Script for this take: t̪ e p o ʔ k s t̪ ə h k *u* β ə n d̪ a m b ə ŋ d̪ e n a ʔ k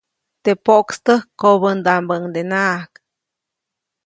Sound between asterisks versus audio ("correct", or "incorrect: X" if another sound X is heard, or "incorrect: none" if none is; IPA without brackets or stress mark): incorrect: o